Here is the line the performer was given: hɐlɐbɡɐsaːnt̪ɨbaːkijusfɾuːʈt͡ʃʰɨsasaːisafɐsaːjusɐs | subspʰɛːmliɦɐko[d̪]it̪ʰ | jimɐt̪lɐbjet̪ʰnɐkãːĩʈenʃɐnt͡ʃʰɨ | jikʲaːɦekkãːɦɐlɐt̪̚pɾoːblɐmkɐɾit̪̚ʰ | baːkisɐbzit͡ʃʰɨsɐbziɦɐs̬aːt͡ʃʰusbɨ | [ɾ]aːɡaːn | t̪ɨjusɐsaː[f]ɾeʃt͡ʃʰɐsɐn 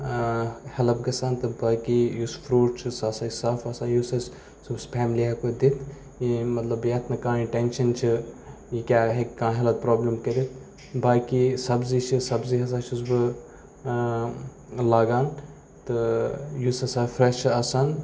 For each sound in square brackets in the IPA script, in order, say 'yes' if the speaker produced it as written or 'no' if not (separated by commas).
yes, no, yes